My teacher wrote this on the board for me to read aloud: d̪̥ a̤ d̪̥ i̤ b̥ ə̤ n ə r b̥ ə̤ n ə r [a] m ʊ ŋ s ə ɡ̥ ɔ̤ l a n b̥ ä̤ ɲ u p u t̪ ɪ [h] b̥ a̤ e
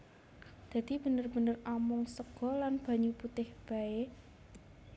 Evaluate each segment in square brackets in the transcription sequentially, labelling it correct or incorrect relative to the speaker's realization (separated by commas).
correct, correct